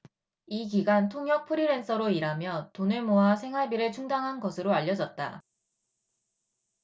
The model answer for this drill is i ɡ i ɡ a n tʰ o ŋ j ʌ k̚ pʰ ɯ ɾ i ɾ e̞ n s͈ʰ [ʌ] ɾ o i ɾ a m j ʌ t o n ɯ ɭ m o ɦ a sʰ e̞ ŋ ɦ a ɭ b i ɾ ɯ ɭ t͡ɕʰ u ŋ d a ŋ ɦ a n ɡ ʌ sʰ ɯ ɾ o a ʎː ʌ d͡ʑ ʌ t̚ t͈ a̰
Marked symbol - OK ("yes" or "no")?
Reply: yes